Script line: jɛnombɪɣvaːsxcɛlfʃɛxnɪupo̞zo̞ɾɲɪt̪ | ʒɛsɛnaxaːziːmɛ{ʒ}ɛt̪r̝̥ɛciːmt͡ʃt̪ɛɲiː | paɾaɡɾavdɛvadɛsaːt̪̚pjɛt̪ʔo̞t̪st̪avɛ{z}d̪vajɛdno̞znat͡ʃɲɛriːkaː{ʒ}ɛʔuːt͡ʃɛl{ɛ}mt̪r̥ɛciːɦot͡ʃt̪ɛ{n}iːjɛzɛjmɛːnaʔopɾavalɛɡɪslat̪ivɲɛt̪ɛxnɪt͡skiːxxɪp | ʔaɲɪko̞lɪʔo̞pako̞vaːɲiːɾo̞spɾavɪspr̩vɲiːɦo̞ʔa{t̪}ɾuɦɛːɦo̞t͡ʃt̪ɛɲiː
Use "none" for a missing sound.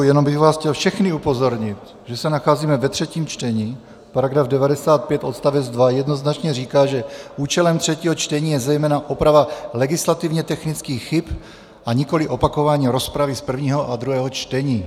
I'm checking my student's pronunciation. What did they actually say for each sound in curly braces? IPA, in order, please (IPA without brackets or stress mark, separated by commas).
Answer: v, d͡z, ʒ, ɛ, ɲ, d̪